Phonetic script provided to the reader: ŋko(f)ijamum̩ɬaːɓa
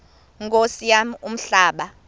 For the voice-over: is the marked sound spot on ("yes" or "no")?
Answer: no